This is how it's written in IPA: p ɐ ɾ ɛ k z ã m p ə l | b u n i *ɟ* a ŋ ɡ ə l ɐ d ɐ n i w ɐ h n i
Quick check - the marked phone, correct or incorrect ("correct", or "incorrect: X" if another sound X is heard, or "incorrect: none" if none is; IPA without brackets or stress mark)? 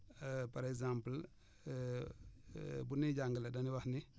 correct